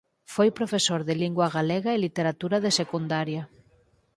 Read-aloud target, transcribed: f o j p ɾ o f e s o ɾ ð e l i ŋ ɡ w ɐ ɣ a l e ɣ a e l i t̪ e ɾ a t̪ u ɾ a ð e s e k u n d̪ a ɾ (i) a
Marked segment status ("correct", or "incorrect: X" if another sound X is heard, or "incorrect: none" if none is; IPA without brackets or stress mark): incorrect: j